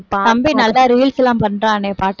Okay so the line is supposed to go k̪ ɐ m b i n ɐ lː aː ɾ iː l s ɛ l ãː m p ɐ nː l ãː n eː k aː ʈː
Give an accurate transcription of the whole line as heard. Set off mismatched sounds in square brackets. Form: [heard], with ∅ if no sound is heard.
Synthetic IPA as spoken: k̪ ɐ m b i n ɐ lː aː ɾ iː l s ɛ l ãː m p ɐ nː [ɾ] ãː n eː [p] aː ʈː